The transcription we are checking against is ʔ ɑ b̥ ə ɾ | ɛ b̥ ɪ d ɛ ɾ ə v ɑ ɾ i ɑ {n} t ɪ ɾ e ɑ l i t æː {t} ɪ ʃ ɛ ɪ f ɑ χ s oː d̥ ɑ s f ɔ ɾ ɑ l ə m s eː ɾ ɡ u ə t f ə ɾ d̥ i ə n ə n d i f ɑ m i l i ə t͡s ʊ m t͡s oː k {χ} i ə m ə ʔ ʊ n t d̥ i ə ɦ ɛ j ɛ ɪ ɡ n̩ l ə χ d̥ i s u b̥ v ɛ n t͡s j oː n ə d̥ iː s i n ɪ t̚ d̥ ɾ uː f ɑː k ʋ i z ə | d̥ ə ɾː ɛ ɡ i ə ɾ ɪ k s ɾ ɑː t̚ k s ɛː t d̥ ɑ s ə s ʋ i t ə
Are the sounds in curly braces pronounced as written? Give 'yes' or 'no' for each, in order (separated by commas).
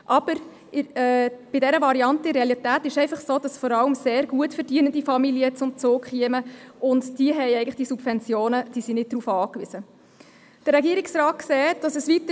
yes, yes, yes